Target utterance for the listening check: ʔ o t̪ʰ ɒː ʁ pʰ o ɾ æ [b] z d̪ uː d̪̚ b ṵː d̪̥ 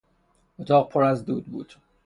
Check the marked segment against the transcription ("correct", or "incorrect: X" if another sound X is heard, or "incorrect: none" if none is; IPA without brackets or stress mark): incorrect: none